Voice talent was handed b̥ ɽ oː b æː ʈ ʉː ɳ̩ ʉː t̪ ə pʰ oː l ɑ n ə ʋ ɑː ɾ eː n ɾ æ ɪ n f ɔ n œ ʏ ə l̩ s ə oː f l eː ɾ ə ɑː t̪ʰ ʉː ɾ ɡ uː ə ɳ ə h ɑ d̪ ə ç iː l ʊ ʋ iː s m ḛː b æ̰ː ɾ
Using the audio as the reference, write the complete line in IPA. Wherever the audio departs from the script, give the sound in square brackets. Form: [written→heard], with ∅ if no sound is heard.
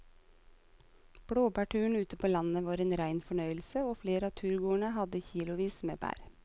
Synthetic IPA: b̥ ɽ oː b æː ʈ ʉː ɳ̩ ʉː t̪ ə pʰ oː l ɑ n ə ʋ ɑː ɾ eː n ɾ æ ɪ n f ɔ [n→ɳ] œ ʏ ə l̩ s ə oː f l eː ɾ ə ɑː t̪ʰ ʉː ɾ ɡ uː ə ɳ ə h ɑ d̪ ə ç iː l ʊ ʋ iː s m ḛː b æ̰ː ɾ

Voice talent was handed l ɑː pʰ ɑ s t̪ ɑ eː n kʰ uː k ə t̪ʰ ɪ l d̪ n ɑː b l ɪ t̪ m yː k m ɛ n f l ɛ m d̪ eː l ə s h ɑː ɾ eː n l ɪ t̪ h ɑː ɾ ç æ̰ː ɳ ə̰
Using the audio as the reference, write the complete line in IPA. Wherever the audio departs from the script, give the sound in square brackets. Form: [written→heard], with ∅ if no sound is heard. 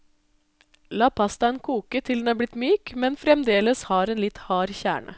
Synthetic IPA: l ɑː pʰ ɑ s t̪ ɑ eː n kʰ uː k ə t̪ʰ ɪ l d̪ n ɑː b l ɪ t̪ m yː k m ɛ n f [l→ɾ] ɛ m d̪ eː l ə s h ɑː ɾ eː n l ɪ t̪ h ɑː ɾ ç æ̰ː ɳ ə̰

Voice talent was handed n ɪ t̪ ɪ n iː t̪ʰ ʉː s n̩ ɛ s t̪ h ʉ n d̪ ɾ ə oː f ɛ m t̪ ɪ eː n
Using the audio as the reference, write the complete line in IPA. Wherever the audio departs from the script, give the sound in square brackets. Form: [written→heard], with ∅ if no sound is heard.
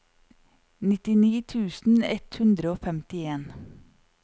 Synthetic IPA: n ɪ t̪ ɪ n iː t̪ʰ ʉː s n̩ ɛ [s→∅] t̪ h ʉ n d̪ ɾ ə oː f ɛ m t̪ ɪ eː n

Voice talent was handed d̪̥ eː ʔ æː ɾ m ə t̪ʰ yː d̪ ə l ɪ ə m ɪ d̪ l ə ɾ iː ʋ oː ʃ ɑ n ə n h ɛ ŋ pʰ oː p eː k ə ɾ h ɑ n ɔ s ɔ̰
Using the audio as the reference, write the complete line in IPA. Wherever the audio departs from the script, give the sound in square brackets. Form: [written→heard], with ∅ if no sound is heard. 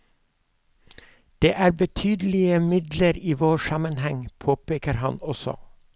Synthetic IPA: d̪̥ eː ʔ æː ɾ [m→b] ə t̪ʰ yː d̪ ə l ɪ ə m ɪ d̪ l ə ɾ iː ʋ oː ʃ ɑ [n→m] ə n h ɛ ŋ pʰ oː p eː k ə ɾ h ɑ n ɔ s ɔ̰

